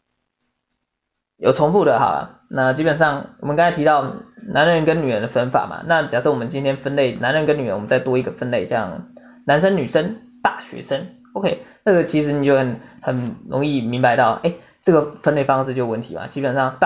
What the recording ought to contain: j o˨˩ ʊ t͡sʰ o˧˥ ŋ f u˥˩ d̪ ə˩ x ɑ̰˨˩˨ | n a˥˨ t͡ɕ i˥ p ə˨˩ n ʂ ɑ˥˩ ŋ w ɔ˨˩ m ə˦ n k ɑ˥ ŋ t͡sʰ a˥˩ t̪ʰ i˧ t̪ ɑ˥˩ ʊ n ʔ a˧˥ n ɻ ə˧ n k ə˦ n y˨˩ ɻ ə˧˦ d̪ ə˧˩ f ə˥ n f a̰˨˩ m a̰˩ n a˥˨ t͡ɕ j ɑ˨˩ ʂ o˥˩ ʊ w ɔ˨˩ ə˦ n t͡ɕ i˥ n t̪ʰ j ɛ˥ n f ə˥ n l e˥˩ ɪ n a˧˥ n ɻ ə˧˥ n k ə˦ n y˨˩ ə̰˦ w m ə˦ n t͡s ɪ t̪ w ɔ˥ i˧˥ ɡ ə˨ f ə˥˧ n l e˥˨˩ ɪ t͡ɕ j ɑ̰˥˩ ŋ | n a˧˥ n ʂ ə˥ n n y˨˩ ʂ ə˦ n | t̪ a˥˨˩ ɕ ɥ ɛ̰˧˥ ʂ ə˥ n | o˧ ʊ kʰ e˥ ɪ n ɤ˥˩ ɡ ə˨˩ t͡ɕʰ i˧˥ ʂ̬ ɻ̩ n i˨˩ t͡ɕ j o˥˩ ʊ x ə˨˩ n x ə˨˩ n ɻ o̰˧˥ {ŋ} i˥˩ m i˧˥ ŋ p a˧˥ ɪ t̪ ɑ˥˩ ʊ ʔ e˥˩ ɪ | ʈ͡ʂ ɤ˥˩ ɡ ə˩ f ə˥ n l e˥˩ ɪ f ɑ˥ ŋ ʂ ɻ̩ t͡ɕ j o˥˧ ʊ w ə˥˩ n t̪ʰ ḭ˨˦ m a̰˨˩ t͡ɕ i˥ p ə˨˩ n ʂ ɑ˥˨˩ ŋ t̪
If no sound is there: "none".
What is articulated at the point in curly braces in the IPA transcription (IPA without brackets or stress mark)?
ŋ